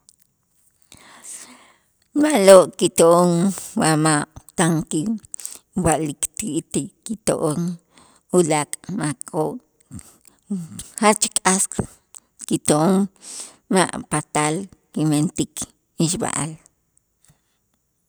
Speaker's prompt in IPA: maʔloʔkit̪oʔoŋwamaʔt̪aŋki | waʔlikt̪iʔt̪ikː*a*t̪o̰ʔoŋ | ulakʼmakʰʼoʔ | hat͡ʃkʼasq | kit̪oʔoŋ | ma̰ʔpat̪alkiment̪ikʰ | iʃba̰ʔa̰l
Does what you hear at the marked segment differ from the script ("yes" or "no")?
yes